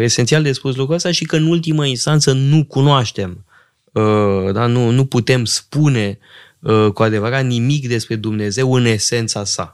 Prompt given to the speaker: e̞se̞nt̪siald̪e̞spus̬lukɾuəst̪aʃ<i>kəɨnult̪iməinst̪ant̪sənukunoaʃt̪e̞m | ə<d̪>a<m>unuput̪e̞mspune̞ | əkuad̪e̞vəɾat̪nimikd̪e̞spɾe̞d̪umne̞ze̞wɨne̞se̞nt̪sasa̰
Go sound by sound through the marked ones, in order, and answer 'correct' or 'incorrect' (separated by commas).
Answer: correct, correct, incorrect